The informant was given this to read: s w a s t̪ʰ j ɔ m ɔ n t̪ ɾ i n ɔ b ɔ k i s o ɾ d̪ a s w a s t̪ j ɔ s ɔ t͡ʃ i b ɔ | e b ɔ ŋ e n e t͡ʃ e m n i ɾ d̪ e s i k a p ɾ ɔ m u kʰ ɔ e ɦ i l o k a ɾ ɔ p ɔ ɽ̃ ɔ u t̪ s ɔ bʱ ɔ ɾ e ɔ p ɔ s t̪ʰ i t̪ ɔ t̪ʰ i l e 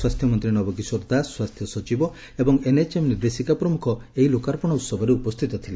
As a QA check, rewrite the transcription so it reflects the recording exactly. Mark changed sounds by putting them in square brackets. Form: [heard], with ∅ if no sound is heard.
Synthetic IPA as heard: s w a s t̪ʰ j ɔ m ɔ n t̪ ɾ i n ɔ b ɔ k i s o ɾ d̪ a s w a s [t̪ʰ] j ɔ s ɔ t͡ʃ i b ɔ | e b ɔ ŋ e n e t͡ʃ e m n i ɾ d̪ e s i k a p ɾ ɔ m u kʰ ɔ e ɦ i l o k a ɾ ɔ p ɔ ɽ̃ ɔ u t̪ s ɔ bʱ ɔ ɾ e [u] p ɔ s t̪ʰ i t̪ ɔ t̪ʰ i l e